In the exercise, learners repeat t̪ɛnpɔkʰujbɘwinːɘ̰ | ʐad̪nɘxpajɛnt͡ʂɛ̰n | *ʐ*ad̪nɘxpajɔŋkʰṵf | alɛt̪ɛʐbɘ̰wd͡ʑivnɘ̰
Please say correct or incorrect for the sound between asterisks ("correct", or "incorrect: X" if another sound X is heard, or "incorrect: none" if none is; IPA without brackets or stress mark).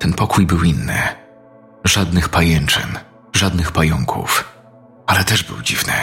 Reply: correct